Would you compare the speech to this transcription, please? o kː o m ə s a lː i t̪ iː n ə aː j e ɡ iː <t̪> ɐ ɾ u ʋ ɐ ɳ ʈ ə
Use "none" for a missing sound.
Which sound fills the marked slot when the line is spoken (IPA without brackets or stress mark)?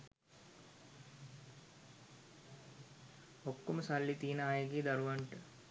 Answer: d̪